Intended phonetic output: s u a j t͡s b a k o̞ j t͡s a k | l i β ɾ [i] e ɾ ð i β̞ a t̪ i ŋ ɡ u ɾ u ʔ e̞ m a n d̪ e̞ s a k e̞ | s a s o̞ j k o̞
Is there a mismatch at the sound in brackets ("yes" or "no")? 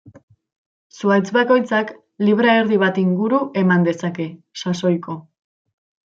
yes